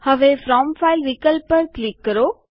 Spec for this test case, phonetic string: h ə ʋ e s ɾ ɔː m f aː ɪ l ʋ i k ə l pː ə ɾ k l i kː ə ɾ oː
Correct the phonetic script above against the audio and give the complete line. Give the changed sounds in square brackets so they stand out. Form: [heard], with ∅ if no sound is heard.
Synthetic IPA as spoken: h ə ʋ e [f] ɾ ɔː m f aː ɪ l ʋ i k ə l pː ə ɾ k l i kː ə ɾ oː